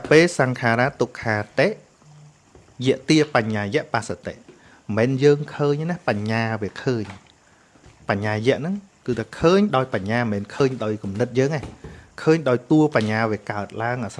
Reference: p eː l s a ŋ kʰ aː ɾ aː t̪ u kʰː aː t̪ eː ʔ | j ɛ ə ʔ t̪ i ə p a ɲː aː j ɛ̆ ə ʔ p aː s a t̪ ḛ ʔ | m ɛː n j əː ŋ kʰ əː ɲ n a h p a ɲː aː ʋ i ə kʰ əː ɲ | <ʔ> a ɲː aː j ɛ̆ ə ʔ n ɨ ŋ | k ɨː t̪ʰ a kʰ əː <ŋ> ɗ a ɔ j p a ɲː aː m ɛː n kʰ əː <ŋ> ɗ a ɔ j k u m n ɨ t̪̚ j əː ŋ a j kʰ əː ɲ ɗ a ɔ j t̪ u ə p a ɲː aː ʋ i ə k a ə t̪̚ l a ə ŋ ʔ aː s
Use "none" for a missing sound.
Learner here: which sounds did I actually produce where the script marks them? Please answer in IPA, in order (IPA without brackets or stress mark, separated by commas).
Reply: p, ɲ, ɲ